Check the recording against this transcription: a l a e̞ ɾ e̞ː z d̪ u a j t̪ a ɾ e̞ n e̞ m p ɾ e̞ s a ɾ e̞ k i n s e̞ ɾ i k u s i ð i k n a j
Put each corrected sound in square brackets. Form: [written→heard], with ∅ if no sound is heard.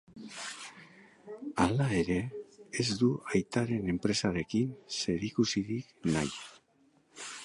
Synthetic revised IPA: a l a e̞ ɾ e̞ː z d̪ u a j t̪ a ɾ e̞ n e̞ m p ɾ e̞ s a ɾ e̞ k i n s e̞ ɾ i k u s i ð i k n a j